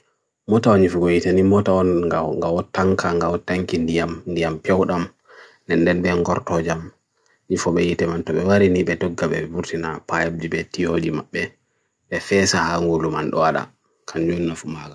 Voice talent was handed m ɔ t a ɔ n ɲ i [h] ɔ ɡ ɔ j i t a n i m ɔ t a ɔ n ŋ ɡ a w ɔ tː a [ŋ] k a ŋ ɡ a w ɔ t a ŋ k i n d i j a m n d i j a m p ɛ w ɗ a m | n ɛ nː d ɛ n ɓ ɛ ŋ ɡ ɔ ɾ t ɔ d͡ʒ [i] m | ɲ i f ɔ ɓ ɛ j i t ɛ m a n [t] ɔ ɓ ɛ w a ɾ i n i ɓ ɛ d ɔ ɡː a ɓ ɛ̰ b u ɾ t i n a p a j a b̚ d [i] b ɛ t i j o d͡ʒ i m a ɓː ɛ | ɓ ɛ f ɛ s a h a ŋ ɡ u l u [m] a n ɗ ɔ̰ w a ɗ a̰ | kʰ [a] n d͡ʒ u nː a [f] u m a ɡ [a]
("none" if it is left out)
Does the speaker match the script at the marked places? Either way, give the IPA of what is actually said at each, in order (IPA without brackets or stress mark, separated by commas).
f, ŋ, a, t, i, m, a, f, a